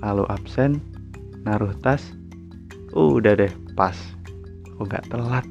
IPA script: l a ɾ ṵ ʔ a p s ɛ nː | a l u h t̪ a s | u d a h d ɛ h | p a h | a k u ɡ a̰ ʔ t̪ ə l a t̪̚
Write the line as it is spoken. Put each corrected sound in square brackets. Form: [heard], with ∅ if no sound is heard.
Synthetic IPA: l a [l] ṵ ʔ a p s ɛ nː | a [ɾ] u h t̪ a s | u d a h d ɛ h | p a [s] | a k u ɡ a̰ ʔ t̪ ə l a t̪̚